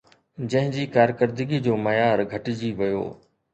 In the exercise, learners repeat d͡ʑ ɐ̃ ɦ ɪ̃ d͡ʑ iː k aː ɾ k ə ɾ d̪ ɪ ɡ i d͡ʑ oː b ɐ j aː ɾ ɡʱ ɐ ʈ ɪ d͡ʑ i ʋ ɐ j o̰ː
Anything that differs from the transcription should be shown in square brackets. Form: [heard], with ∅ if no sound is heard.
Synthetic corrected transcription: d͡ʑ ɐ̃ ɦ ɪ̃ d͡ʑ iː k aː ɾ k ə ɾ d̪ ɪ ɡ i d͡ʑ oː [m] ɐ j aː ɾ ɡʱ ɐ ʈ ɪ d͡ʑ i ʋ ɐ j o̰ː

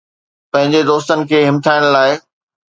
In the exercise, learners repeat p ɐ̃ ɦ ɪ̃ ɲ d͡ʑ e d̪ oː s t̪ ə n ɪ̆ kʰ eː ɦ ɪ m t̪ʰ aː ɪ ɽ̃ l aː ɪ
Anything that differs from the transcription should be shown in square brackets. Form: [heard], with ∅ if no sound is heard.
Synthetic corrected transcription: p ɐ̃ ɦ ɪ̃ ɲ d͡ʑ e d̪ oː s t̪ ə n ɪ̆ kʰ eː ɦ ɪ m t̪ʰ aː ɪ ɽ̃ l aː ɪ

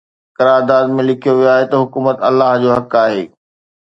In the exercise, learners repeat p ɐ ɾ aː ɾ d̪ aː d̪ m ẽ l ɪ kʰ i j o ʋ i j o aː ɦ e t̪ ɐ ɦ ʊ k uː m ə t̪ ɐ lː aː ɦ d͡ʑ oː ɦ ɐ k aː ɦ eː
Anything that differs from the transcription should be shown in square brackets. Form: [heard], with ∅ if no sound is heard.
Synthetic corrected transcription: [k] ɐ ɾ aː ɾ d̪ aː d̪ m ẽ l ɪ kʰ i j o ʋ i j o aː ɦ e t̪ ɐ ɦ ʊ k uː m ə t̪ ɐ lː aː ɦ d͡ʑ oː ɦ ɐ k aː ɦ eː

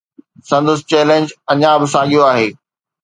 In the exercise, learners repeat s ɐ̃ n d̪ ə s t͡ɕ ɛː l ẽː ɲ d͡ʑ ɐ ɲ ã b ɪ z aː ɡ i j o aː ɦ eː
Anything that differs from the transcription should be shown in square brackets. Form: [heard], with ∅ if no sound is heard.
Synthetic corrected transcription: s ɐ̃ n d̪ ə s t͡ɕ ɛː l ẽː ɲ d͡ʑ ɐ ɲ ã b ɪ [s] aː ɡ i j o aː ɦ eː

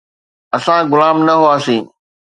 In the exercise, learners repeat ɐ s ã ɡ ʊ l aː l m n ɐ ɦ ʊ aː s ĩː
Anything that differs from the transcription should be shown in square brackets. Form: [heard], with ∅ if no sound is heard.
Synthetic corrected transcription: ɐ s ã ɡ ʊ l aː [∅] m n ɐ ɦ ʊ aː s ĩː

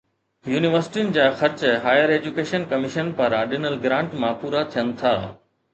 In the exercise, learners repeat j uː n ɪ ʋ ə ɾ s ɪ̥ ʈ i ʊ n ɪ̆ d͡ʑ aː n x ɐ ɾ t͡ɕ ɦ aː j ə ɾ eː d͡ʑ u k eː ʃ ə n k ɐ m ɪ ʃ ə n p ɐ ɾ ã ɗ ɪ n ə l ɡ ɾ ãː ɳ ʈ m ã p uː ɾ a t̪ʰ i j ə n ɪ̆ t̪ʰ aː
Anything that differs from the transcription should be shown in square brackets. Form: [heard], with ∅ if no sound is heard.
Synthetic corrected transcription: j uː n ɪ ʋ ə ɾ s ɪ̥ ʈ i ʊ n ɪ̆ d͡ʑ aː [∅] x ɐ ɾ t͡ɕ ɦ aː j ə ɾ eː d͡ʑ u k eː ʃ ə n k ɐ m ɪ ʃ ə n p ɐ ɾ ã ɗ ɪ n ə l ɡ ɾ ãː ɳ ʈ m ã p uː ɾ a t̪ʰ i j ə n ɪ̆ t̪ʰ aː

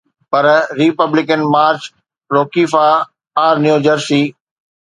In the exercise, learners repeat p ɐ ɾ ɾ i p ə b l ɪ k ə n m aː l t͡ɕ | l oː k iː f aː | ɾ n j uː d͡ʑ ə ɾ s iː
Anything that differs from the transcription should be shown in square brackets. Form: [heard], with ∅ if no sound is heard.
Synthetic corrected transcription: p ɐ ɾ ɾ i p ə b l ɪ k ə n m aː [ɾ] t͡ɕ | [ɾ] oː k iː f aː | ɾ n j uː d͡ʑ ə ɾ s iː

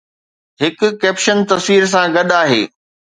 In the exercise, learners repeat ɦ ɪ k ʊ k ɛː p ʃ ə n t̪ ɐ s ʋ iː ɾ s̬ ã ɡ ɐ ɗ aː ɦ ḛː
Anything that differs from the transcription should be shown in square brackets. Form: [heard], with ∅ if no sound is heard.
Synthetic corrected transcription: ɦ ɪ k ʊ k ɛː p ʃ ə n t̪ ɐ s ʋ iː ɾ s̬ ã ɡ ɐ ɗ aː ɦ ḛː

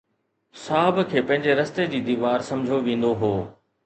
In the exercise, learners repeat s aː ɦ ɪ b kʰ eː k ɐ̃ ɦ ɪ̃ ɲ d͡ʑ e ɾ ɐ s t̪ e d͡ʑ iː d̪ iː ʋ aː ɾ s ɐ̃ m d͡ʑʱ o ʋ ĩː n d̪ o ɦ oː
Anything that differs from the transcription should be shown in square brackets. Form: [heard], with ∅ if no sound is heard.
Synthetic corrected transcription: s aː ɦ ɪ b kʰ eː [p] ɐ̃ ɦ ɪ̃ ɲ d͡ʑ e ɾ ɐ s t̪ e d͡ʑ iː d̪ iː ʋ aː ɾ s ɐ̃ m d͡ʑʱ o ʋ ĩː n d̪ o ɦ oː

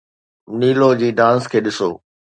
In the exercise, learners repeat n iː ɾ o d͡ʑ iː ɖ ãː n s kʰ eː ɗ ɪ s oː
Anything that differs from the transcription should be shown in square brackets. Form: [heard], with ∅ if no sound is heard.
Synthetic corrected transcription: n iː [l] o d͡ʑ iː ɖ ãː n s kʰ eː ɗ ɪ s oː

